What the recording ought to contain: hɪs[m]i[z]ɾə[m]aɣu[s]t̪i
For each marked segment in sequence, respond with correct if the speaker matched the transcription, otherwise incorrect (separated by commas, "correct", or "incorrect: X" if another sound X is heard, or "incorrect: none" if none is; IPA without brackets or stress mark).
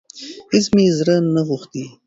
correct, correct, incorrect: n, incorrect: x